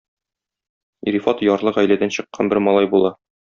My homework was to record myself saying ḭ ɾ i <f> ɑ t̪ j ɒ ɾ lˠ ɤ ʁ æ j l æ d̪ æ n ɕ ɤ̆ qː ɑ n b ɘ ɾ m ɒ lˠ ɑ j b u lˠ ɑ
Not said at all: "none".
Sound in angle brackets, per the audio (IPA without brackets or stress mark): f